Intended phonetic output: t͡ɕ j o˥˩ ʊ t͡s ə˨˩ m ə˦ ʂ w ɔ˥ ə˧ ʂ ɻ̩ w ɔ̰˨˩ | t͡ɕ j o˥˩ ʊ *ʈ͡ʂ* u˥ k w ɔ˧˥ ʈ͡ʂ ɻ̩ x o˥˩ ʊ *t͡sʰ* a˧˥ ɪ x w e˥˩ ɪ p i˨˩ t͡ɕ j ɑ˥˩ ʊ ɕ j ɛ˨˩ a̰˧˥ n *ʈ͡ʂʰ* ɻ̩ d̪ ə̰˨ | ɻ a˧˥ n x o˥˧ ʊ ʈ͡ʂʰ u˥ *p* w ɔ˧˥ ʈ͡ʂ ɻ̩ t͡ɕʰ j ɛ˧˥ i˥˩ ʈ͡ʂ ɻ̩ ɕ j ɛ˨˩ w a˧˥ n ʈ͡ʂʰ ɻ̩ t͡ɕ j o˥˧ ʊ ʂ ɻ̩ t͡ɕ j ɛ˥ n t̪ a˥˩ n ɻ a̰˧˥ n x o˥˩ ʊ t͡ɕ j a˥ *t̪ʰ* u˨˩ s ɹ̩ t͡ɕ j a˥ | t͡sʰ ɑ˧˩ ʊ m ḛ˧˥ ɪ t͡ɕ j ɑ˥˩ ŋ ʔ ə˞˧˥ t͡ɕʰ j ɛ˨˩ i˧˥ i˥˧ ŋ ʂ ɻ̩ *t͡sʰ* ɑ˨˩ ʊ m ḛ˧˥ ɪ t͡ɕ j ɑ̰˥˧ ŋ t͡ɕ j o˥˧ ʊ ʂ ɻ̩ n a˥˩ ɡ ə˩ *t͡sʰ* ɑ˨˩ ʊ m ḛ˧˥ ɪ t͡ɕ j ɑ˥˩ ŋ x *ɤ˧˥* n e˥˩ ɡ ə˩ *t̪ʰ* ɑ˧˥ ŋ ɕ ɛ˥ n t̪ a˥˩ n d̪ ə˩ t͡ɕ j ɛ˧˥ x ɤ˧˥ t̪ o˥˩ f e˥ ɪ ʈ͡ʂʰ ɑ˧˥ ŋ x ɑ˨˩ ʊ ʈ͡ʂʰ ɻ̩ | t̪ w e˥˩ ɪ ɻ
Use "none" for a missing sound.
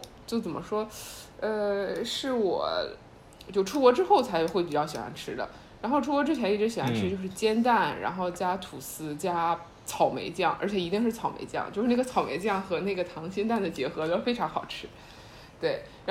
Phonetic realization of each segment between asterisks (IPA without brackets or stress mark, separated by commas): ʈ͡ʂʰ, t͡sʰ, ʈ͡ʂʰ, k, t̪ʰ, t͡sʰ, t͡sʰ, ɤ˧˥, t̪ʰ